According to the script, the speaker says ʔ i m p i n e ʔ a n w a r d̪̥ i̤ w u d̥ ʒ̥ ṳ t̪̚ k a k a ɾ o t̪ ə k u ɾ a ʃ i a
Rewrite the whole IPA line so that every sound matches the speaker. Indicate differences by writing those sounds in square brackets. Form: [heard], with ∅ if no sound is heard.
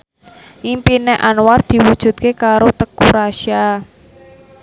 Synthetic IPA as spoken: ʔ i m p i n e ʔ a n w a r d̪̥ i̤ w u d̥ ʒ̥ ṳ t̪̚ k [e] k a ɾ o t̪ ə k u ɾ a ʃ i a